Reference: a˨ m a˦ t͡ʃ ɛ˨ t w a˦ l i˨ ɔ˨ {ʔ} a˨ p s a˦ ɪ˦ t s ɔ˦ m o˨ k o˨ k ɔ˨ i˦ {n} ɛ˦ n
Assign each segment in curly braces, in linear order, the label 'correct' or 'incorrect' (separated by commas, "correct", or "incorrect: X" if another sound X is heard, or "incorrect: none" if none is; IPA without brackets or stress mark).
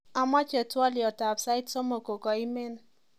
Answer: incorrect: t, incorrect: m